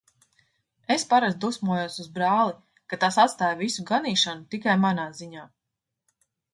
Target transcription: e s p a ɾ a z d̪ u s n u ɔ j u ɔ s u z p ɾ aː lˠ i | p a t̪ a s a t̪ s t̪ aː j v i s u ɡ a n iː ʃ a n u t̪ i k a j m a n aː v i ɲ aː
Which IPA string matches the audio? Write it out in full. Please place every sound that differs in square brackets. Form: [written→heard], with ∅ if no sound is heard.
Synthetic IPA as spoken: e s p a ɾ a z d̪ u s [n→m] u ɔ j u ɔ s u z [p→b] ɾ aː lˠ i | [p→k] a t̪ a s a t̪ s t̪ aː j v i s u ɡ a n iː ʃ a n u t̪ i k a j m a n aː [v→z] i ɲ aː